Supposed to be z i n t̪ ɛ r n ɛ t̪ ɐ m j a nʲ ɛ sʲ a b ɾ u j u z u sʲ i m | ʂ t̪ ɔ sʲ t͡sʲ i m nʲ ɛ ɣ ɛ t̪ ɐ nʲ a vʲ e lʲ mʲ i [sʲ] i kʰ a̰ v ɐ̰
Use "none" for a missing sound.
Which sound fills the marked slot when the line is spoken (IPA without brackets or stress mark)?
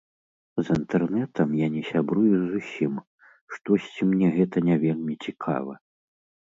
t͡sʲ